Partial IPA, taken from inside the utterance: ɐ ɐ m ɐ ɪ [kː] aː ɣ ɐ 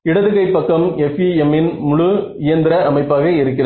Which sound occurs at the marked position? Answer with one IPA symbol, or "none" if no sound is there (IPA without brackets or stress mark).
pː